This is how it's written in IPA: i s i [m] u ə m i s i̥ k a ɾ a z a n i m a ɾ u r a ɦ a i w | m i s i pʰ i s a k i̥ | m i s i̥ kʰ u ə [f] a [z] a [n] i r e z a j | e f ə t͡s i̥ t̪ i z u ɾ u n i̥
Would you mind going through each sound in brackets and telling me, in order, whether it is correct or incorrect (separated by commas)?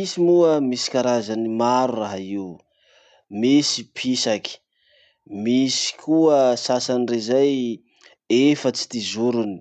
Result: correct, incorrect, incorrect, correct